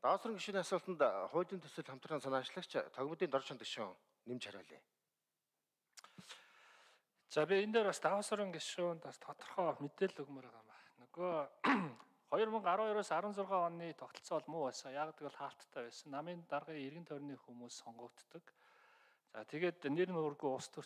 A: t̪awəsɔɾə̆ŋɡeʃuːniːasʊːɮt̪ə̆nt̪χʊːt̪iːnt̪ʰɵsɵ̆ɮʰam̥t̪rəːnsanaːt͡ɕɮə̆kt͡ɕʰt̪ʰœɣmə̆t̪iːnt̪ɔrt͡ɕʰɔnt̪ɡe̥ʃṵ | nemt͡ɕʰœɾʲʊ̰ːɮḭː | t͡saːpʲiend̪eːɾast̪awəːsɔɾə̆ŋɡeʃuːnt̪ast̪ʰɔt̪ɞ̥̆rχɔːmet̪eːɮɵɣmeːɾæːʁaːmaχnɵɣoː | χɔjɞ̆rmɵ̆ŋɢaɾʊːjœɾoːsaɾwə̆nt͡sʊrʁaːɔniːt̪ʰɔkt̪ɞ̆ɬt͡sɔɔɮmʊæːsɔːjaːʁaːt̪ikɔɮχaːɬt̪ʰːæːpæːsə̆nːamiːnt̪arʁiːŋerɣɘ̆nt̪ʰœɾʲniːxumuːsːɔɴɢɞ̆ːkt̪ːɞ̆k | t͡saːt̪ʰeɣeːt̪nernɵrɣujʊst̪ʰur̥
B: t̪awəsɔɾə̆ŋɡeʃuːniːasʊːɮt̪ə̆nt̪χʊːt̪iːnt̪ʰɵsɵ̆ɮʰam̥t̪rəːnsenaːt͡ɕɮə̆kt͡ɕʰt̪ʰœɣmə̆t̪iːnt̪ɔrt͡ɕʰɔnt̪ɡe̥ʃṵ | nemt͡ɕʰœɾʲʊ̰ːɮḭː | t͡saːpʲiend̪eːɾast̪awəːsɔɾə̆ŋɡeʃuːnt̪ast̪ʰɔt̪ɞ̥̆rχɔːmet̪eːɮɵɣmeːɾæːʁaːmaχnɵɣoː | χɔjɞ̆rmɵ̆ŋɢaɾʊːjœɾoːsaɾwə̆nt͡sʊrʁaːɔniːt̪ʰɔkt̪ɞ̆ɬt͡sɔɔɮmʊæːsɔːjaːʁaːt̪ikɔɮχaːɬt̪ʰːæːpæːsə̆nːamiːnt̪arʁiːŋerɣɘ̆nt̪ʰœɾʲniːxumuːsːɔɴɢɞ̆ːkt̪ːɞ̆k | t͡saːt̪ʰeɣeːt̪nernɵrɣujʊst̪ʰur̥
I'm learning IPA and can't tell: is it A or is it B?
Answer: A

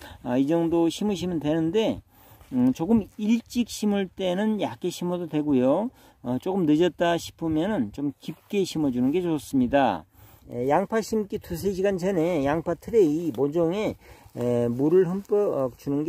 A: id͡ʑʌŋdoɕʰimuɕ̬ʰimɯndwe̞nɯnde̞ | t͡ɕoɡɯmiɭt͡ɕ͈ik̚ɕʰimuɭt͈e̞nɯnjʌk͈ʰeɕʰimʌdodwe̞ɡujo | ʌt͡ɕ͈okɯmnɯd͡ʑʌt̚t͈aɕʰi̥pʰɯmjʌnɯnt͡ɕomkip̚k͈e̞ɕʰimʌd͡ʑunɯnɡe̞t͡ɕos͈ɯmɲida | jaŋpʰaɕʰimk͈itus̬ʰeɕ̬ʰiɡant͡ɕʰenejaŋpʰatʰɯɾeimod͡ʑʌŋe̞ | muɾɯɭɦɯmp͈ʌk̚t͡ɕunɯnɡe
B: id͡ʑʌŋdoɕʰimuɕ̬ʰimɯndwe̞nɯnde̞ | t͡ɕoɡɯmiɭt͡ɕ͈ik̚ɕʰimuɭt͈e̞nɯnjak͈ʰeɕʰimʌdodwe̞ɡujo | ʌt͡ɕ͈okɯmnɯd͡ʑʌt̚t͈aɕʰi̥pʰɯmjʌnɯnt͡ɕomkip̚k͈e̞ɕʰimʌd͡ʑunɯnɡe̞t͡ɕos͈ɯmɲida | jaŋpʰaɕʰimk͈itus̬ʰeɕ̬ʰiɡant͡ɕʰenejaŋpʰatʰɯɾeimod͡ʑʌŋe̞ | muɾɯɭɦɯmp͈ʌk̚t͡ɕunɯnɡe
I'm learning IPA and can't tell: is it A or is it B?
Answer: B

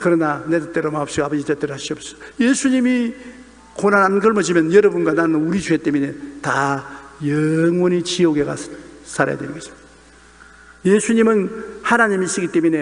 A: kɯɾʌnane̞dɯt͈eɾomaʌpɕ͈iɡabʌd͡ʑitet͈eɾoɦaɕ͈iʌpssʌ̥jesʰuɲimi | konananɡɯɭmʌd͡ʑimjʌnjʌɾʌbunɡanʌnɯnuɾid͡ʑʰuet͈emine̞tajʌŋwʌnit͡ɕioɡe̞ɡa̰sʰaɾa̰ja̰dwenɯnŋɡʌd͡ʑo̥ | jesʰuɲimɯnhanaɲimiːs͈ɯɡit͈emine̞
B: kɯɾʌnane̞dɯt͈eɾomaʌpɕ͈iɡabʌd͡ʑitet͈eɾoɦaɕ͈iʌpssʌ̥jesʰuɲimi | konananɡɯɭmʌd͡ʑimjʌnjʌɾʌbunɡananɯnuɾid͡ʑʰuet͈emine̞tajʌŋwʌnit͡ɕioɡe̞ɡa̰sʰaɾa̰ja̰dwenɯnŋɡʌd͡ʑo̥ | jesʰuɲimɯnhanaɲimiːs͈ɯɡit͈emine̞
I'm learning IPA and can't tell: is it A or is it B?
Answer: B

